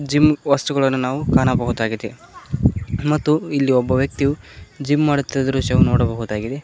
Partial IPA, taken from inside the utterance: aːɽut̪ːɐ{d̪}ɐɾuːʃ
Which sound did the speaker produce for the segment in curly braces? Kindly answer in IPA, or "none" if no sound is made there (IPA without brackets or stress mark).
d̪